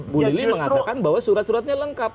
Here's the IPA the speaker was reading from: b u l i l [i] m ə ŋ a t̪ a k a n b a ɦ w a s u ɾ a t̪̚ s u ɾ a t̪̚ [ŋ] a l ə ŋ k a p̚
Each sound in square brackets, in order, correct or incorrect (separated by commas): correct, incorrect